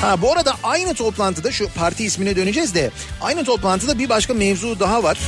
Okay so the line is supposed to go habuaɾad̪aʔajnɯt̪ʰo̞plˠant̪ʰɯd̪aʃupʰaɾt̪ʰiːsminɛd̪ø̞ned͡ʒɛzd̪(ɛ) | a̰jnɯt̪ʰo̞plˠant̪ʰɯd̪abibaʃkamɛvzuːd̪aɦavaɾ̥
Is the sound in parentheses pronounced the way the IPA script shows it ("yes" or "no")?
yes